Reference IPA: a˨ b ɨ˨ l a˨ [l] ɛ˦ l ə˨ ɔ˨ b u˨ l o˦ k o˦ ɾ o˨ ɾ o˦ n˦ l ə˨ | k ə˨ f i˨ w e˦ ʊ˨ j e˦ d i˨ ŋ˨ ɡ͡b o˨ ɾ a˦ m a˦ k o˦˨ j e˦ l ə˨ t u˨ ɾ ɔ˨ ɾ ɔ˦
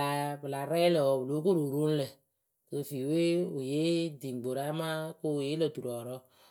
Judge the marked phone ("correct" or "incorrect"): incorrect